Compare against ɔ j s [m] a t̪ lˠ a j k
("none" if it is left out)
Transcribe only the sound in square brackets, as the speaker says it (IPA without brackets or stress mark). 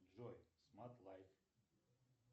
m